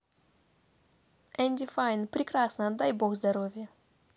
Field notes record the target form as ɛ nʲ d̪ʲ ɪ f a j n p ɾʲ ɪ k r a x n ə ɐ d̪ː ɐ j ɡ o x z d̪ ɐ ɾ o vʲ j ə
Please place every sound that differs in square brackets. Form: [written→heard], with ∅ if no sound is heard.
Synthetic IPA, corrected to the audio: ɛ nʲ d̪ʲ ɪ f a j n p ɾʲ ɪ k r a [x→s] n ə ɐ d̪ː [ɐ→a] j [ɡ→b] o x z d̪ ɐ ɾ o vʲ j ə